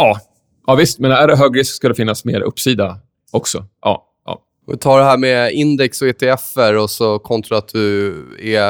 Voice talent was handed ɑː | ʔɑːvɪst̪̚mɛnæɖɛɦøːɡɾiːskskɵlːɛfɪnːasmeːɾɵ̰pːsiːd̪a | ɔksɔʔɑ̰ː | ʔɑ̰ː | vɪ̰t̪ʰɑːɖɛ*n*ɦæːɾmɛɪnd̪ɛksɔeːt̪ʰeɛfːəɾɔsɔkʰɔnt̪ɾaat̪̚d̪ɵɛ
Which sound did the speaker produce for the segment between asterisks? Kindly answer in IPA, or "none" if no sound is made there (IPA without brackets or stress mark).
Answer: none